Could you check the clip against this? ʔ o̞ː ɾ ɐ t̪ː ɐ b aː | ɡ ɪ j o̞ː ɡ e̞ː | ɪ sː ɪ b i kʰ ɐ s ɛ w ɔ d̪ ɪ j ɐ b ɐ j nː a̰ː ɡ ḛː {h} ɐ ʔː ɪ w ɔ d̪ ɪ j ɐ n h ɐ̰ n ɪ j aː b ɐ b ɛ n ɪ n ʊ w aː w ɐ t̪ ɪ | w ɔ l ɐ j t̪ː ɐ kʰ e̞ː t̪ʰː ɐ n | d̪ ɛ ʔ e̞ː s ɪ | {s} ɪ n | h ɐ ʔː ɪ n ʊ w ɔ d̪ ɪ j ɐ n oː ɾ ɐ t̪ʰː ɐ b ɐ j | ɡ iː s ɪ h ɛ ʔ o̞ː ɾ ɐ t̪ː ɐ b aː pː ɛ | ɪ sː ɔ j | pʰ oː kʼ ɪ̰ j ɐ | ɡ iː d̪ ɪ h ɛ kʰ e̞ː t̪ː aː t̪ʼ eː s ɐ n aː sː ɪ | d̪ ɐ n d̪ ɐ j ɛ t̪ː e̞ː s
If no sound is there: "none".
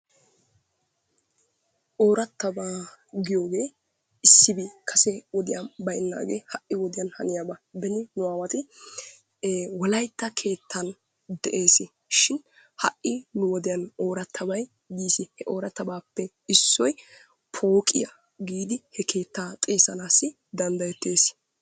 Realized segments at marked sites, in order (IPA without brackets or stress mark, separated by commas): h, ʃ